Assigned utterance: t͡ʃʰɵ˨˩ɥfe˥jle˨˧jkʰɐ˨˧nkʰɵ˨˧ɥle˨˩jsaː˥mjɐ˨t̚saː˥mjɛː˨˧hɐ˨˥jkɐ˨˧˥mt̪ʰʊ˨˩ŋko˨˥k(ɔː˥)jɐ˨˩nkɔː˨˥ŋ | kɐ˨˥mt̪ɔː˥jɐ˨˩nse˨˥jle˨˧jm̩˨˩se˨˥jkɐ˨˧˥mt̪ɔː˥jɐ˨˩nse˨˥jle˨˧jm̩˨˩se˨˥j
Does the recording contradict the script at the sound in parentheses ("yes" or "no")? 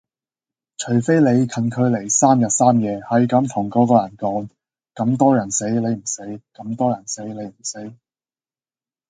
yes